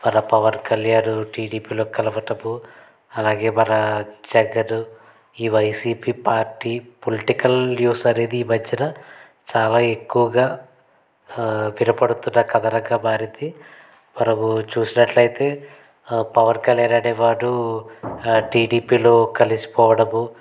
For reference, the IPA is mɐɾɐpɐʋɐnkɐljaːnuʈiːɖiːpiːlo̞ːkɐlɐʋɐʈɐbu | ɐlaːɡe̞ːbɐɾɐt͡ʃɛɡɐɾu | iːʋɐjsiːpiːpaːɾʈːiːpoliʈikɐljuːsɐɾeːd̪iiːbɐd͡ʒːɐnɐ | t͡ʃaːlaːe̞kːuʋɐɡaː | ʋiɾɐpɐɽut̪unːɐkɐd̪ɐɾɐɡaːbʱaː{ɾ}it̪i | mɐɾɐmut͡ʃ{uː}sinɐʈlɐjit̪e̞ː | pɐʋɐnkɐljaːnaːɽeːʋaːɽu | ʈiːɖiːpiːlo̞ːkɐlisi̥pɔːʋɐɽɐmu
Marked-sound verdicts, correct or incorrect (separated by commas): correct, correct